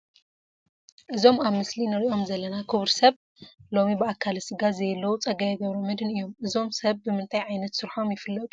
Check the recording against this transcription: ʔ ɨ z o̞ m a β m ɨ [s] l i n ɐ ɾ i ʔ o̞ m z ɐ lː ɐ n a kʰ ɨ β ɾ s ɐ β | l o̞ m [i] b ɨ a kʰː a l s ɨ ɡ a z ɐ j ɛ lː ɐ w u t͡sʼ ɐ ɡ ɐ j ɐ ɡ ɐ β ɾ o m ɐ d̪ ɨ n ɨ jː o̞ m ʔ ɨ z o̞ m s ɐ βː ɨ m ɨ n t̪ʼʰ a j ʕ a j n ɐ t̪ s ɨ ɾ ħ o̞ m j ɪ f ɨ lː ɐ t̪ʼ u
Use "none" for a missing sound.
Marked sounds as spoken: s, i

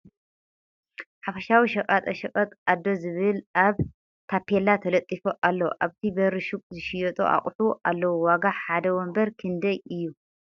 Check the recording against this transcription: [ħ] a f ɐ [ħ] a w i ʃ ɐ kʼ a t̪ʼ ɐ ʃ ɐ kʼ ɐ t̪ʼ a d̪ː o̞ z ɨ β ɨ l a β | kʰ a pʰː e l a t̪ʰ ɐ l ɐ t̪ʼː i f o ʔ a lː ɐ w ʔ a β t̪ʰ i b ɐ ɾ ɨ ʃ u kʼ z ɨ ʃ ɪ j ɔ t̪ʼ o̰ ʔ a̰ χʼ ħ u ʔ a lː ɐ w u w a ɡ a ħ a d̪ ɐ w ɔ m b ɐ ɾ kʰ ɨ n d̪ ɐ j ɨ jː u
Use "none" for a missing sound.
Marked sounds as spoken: ħ, ʃ

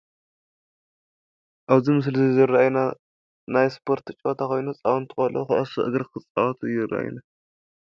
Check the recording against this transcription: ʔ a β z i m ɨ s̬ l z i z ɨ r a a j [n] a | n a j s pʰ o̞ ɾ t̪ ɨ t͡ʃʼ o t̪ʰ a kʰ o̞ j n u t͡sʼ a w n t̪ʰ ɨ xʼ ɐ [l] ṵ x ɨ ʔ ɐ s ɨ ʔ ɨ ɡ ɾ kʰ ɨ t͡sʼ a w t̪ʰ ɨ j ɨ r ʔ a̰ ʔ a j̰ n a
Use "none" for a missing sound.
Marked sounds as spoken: n, l

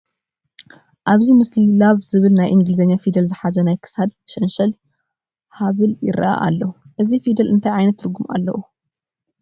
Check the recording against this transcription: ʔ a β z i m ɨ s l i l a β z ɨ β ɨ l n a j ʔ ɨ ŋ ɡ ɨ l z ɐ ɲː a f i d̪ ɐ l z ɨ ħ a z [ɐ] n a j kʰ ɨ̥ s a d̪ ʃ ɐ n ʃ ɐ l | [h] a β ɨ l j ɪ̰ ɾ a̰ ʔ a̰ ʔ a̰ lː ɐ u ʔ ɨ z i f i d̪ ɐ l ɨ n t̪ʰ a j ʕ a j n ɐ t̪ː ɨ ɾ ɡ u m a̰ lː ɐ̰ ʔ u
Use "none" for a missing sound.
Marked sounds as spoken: ɐ, h

